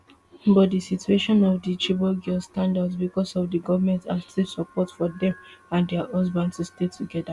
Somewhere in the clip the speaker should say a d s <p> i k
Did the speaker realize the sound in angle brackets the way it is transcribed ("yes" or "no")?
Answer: no